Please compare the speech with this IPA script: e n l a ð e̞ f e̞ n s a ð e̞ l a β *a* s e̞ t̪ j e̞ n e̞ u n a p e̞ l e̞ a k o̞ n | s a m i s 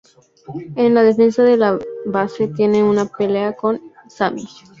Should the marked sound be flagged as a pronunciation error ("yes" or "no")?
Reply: no